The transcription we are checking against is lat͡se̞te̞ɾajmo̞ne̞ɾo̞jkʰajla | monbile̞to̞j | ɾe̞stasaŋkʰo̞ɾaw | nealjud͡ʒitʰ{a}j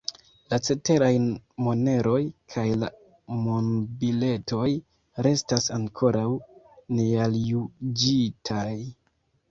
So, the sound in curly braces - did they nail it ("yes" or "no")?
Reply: yes